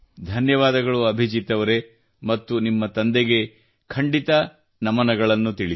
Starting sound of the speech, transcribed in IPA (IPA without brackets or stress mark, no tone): d̪ʱ